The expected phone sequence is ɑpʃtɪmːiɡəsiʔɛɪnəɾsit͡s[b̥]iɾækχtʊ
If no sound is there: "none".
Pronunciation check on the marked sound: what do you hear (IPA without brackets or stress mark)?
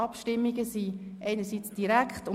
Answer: d̥